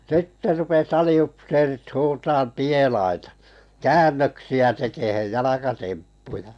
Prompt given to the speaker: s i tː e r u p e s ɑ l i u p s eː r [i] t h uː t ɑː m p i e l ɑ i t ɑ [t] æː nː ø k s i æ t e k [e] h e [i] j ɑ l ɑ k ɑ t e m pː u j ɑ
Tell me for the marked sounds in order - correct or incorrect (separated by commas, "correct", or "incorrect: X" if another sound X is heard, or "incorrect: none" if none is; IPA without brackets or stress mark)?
correct, incorrect: k, correct, incorrect: j